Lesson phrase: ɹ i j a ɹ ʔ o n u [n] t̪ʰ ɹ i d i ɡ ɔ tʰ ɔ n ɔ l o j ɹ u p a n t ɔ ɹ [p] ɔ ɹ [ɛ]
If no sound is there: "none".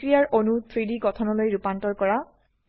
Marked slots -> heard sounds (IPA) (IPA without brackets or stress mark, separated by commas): none, k, a